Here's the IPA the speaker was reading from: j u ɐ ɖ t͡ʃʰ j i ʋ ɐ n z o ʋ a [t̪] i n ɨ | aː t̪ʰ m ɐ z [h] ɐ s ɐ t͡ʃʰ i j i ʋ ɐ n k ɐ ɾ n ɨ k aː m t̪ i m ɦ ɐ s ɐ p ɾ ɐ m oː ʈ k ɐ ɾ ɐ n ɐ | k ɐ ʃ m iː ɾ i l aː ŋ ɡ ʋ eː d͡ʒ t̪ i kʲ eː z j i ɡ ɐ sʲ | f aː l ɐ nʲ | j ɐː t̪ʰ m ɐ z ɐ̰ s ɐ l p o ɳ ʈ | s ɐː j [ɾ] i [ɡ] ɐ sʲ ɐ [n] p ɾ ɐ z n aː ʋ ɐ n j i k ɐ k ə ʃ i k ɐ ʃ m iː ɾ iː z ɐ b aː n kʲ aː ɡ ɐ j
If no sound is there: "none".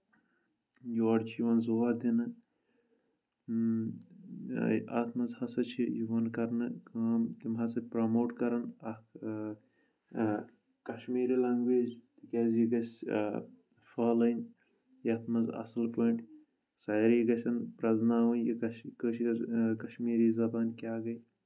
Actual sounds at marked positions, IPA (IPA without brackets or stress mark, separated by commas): d̪, h, ɾ, ɡ, n